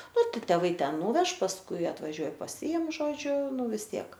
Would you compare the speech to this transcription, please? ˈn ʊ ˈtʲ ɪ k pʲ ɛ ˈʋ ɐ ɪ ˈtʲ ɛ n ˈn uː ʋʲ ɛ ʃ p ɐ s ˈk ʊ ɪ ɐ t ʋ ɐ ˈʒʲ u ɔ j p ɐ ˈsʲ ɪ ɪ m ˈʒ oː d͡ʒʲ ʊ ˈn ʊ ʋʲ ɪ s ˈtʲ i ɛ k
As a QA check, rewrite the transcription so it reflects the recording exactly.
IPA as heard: ˈn ʊ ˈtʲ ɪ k tʲ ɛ ˈʋ ɐ ɪ ˈtʲ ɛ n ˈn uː ʋʲ ɛ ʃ p ɐ s ˈk ʊ ɪ ɐ t ʋ ɐ ˈʒʲ u ɔ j p ɐ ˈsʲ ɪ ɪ m ˈʒ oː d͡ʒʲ ʊ ˈn ʊ ʋʲ ɪ s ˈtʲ i ɛ k